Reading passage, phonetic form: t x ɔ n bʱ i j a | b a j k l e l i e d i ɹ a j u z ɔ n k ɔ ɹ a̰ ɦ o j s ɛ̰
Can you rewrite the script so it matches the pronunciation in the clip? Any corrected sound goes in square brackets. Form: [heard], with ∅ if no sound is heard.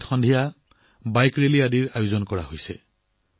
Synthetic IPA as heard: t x ɔ n [dʱ] i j a | b a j k [ɹ] e l i [a] d i ɹ a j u z ɔ n k ɔ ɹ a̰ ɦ o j s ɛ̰